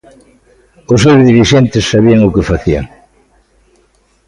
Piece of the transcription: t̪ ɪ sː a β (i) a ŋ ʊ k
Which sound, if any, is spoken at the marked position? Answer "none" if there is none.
i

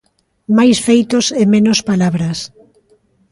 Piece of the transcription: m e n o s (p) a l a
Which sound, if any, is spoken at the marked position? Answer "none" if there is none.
p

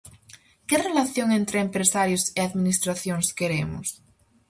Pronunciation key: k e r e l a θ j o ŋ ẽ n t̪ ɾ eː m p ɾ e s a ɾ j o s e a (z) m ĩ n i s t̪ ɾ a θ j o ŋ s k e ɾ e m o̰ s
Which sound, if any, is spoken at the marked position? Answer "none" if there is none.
ð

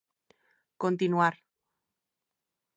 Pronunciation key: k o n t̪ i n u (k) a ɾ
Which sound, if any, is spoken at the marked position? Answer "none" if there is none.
none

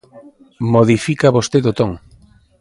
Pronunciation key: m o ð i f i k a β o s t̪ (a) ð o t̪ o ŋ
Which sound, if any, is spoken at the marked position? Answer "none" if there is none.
e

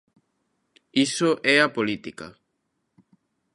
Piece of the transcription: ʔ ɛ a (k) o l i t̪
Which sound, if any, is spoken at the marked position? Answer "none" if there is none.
p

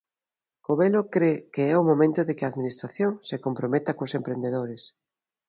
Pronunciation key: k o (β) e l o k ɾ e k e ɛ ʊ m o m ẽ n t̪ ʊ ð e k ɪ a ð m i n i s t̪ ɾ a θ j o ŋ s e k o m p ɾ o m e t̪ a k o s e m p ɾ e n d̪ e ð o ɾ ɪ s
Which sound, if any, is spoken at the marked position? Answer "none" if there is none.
β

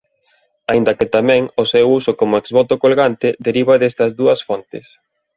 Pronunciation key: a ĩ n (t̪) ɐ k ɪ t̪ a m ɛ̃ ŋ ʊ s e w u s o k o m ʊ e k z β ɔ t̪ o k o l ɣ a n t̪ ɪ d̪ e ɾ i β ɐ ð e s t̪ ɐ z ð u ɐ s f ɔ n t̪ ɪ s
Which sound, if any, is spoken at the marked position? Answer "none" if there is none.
d̪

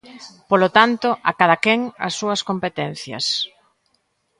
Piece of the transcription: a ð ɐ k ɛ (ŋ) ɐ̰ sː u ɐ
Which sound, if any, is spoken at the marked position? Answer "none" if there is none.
ŋ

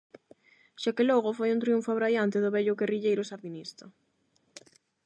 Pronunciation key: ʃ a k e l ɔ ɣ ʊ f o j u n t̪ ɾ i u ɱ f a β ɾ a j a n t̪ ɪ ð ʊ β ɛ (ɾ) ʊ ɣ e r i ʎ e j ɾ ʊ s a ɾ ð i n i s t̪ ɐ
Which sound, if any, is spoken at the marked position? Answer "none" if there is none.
ʎ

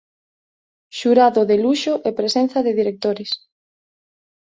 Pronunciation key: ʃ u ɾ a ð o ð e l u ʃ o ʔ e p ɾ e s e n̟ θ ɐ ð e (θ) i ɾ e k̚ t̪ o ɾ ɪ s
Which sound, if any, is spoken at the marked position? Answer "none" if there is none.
ð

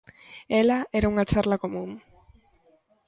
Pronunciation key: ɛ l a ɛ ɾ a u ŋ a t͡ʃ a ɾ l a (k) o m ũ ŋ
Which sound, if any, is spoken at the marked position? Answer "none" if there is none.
k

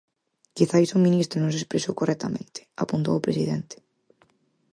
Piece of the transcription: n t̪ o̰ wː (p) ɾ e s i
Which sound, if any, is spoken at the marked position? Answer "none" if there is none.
p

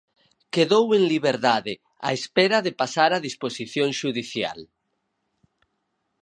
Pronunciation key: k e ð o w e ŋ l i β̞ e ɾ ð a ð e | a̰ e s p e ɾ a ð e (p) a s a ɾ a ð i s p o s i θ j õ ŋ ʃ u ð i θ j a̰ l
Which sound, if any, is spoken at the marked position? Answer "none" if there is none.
p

